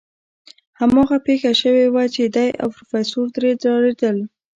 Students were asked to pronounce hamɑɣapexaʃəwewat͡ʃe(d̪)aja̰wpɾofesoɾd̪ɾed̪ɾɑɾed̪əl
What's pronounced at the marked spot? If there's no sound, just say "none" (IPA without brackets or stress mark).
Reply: d̪